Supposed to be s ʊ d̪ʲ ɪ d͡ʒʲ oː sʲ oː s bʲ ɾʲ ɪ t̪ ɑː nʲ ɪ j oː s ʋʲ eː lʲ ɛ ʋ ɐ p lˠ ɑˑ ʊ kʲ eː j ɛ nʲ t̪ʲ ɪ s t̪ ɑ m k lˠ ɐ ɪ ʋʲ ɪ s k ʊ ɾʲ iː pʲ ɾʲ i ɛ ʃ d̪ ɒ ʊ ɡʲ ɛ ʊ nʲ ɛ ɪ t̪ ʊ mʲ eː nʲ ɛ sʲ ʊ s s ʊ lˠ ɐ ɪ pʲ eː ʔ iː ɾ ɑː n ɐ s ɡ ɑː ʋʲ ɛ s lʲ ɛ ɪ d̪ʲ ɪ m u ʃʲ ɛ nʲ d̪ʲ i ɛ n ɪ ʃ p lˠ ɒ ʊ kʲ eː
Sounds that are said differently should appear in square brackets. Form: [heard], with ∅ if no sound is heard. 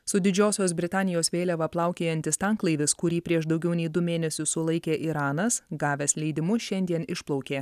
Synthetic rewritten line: s ʊ d̪ʲ ɪ d͡ʒʲ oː sʲ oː s bʲ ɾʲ ɪ t̪ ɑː nʲ ɪ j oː s ʋʲ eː lʲ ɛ ʋ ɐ p lˠ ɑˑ ʊ kʲ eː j ɛ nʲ t̪ʲ ɪ s t̪ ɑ [ŋ] k lˠ ɐ ɪ ʋʲ ɪ s k ʊ ɾʲ iː pʲ ɾʲ i ɛ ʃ d̪ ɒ ʊ ɡʲ ɛ ʊ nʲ ɛ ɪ [d̪] ʊ mʲ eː nʲ ɛ sʲ ʊ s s ʊ lˠ ɐ ɪ [kʲ] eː ʔ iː ɾ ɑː n ɐ s ɡ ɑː ʋʲ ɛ s lʲ ɛ ɪ d̪ʲ ɪ m [ʊ] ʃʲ ɛ nʲ d̪ʲ i ɛ n ɪ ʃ p lˠ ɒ ʊ kʲ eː